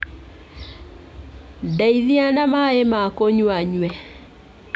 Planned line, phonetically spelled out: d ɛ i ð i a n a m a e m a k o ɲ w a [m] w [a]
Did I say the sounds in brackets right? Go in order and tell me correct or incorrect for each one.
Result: incorrect: ɲ, incorrect: ɛ

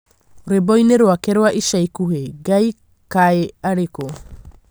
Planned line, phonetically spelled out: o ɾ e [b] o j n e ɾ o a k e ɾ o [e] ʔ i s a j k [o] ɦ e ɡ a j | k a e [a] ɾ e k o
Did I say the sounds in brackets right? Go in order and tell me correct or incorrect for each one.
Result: correct, incorrect: a, incorrect: u, correct

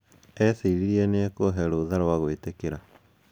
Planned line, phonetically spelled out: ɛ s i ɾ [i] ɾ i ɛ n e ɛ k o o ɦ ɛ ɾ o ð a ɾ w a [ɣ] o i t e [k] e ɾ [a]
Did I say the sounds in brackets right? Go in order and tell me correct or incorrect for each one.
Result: correct, correct, correct, correct

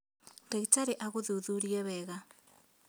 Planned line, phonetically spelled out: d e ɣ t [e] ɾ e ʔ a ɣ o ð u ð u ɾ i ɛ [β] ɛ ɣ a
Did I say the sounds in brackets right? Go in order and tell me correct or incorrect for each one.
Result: incorrect: a, correct

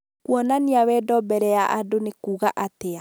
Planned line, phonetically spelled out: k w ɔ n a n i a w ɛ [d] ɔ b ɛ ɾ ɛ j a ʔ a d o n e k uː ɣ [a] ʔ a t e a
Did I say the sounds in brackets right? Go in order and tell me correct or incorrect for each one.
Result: correct, correct

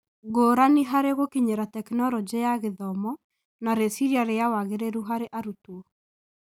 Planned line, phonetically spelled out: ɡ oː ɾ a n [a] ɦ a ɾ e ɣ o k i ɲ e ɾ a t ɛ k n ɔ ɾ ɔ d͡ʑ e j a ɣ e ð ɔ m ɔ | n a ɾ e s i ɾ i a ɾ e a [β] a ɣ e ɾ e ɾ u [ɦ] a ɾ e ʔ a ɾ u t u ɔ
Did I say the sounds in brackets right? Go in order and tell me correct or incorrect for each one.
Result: incorrect: i, incorrect: w, correct

